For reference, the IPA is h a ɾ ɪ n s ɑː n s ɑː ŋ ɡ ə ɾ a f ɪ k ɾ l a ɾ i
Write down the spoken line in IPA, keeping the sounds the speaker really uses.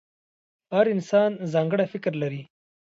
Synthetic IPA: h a ɾ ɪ n s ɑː n z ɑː ŋ ɡ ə ɽ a f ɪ k ɾ l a ɾ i